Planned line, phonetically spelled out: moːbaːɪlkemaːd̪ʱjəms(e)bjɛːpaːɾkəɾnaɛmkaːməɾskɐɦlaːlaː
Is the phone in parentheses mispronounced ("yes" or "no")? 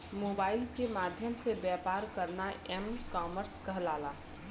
no